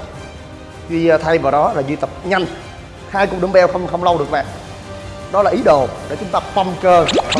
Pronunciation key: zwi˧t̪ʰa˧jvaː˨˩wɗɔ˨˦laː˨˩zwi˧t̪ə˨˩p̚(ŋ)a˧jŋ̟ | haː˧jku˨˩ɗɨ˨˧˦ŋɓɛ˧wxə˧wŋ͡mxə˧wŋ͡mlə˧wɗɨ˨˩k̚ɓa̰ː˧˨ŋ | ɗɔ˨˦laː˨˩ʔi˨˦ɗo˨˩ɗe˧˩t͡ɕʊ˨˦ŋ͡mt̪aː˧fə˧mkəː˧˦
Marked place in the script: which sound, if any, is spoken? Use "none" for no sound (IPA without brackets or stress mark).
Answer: ɲ